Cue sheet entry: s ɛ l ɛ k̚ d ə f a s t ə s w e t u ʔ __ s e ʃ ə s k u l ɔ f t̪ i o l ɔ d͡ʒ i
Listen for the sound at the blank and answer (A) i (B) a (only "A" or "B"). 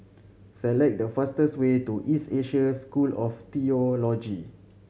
A